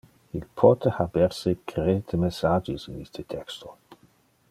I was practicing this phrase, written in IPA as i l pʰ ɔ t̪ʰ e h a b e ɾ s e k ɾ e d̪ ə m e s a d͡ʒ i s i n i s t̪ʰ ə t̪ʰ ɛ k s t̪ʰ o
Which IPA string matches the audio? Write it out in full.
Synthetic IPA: i l pʰ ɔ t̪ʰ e h a b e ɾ s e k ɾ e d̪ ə m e s a d͡ʒ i s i n i s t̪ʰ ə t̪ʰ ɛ k s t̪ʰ o